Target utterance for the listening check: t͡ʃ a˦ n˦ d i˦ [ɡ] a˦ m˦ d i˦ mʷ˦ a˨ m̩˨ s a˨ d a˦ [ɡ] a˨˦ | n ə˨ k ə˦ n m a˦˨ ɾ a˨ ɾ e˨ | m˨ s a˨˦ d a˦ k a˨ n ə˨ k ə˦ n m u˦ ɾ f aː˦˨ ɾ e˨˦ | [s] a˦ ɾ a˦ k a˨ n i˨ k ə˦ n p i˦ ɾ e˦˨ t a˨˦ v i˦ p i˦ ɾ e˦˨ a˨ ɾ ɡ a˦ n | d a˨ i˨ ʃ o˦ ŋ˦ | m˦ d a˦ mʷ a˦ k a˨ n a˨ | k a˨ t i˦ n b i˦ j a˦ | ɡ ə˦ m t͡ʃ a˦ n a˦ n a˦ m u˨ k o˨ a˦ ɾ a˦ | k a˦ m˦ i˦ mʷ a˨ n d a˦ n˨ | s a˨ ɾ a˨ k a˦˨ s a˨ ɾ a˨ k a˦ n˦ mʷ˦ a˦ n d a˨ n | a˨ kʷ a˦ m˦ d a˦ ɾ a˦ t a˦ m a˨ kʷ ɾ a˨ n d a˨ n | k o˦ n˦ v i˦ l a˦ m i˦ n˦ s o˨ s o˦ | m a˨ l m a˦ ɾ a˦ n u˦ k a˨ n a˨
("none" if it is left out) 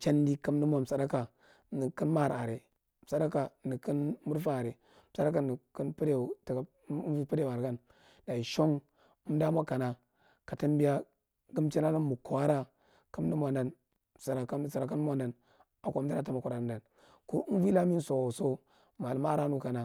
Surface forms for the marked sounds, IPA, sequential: k, k, s

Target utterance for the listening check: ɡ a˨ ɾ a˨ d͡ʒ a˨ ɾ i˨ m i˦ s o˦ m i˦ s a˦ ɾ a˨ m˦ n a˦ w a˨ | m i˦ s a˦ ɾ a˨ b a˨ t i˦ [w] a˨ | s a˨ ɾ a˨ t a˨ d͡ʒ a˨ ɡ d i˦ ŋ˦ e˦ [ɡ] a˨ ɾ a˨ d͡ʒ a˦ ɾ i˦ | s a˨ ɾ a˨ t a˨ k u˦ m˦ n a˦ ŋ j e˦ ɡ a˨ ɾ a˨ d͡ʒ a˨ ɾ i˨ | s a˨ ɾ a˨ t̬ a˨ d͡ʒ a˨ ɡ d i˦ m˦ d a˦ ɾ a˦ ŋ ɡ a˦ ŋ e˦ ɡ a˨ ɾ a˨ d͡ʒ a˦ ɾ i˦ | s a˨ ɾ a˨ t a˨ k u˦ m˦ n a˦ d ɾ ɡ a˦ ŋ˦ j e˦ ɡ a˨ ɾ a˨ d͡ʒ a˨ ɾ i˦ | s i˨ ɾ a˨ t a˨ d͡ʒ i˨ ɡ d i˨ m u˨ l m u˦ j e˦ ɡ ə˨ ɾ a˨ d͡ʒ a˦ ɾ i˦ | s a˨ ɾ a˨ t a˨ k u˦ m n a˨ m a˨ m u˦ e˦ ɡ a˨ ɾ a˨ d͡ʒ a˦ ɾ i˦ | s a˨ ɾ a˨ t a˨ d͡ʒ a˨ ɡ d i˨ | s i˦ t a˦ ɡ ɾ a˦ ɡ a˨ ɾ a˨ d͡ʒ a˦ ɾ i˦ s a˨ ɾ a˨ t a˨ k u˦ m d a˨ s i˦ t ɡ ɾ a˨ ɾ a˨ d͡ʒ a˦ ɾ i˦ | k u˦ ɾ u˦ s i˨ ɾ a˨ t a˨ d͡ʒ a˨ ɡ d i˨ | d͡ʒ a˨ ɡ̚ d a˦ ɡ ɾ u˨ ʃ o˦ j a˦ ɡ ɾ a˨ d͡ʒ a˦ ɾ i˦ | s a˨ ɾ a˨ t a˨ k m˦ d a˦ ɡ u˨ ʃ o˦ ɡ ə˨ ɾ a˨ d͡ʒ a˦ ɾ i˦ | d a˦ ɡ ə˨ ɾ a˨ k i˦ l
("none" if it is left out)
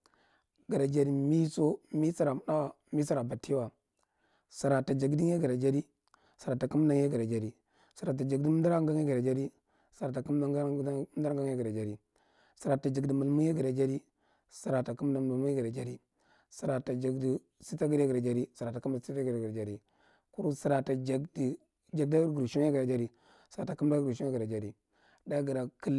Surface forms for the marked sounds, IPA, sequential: w, ɡ

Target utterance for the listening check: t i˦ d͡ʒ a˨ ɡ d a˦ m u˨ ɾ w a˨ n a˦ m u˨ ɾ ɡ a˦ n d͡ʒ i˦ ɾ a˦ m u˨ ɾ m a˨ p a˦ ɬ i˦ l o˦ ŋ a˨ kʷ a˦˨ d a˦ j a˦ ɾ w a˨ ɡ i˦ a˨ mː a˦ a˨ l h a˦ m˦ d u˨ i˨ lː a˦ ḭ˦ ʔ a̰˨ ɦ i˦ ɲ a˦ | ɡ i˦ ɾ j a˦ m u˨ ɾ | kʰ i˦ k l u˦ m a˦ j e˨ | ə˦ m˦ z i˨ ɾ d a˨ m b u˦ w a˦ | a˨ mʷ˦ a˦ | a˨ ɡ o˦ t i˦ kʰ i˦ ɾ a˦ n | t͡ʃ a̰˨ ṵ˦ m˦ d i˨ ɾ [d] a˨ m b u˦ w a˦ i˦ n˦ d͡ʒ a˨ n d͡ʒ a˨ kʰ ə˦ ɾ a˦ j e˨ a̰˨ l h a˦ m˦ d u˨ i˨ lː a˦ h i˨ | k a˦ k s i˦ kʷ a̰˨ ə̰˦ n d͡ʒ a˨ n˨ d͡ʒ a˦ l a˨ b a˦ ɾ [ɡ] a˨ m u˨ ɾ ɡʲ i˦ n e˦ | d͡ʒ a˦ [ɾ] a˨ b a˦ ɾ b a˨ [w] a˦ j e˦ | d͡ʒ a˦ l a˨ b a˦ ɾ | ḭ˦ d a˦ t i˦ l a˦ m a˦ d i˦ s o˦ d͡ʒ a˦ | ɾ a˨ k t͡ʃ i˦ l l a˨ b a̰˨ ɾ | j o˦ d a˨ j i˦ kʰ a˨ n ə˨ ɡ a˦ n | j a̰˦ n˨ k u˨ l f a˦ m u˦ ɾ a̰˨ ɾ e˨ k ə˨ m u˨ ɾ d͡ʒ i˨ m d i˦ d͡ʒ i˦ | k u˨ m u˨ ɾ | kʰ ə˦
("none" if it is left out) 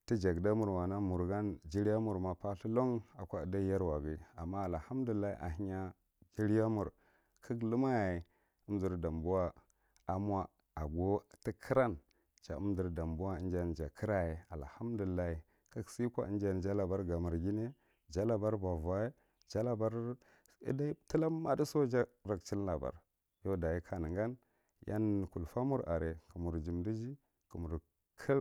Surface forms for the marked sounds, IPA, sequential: d, ɡ, l, v

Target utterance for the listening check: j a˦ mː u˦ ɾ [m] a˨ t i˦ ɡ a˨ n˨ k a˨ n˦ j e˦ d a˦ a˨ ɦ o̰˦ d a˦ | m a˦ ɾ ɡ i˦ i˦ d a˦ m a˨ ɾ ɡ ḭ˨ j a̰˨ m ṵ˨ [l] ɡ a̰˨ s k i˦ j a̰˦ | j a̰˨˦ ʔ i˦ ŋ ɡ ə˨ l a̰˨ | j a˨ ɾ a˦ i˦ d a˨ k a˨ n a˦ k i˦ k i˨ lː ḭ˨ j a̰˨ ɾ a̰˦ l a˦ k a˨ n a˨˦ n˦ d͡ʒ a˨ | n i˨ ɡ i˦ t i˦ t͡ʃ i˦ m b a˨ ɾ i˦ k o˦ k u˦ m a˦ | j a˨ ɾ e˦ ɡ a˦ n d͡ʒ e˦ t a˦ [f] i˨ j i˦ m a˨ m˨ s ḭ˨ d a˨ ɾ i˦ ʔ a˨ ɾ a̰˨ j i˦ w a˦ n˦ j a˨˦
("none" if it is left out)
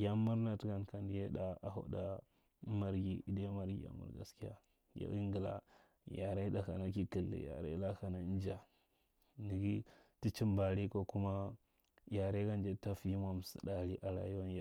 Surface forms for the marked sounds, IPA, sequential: n, ɾ, f

